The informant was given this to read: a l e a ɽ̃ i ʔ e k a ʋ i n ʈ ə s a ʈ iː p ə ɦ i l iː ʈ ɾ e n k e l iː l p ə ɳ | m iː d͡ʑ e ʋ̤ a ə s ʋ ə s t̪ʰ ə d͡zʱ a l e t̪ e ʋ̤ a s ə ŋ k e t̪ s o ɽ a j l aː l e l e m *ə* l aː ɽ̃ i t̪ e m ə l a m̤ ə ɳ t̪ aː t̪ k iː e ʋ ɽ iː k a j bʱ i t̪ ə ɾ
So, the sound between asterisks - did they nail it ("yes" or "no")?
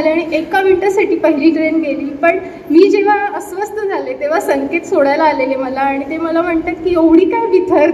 yes